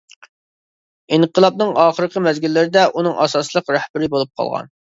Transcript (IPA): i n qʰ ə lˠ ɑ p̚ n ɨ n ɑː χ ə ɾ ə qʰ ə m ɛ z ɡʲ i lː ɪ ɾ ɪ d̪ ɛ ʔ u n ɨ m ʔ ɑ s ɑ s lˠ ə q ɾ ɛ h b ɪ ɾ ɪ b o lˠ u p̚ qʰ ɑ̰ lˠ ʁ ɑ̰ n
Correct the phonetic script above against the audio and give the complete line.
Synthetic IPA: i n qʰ ə lˠ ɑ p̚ n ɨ ŋ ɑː χ ə ɾ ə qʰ ə m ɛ z ɡʲ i lː ɪ ɾ ɪ d̪ ɛ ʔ u n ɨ ŋ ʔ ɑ s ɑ s lˠ ə q ɾ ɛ h b ɪ ɾ ɪ b o lˠ u p̚ qʰ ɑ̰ lˠ ʁ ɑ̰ n